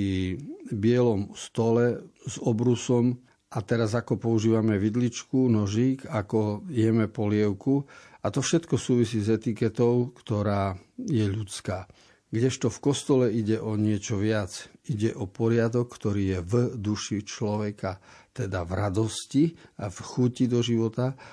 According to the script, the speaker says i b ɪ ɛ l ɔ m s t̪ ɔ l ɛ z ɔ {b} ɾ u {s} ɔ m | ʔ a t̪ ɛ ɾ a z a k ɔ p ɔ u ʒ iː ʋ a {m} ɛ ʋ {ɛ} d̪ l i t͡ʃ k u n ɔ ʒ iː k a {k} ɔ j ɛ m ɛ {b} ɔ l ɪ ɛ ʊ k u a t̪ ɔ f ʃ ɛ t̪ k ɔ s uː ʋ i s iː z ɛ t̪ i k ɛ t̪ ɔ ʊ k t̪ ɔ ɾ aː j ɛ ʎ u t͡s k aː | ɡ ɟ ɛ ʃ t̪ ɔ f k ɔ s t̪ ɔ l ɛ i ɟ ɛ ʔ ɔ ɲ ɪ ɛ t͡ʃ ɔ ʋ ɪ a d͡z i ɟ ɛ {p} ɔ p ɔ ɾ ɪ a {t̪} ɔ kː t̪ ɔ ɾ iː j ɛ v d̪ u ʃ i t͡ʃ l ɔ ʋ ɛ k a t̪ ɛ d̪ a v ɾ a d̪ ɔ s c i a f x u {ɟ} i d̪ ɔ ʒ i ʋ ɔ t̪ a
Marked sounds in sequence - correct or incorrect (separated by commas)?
correct, correct, correct, incorrect, correct, incorrect, incorrect, incorrect, incorrect